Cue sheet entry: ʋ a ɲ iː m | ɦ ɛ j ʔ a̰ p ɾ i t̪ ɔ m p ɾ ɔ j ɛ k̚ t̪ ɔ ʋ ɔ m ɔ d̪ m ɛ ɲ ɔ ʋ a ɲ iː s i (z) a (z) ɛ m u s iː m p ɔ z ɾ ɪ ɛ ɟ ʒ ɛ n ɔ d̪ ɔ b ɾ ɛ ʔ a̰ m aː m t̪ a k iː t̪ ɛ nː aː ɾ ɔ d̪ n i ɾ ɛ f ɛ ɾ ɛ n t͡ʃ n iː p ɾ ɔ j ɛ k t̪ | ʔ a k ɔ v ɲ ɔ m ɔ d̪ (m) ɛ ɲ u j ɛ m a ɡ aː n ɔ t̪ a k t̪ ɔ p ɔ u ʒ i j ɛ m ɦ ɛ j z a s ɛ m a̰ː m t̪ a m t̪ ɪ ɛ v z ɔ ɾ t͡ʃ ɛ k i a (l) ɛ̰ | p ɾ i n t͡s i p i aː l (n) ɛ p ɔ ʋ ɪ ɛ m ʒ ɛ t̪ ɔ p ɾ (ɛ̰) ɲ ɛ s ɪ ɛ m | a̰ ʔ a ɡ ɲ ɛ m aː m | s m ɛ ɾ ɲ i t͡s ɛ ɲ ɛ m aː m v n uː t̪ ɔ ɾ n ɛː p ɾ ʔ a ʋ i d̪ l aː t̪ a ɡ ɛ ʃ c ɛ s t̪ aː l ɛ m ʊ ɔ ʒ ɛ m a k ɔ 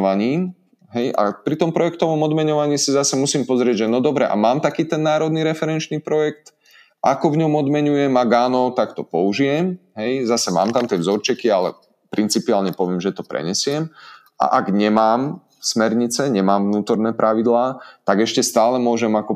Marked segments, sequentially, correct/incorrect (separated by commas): correct, incorrect, correct, correct, incorrect, correct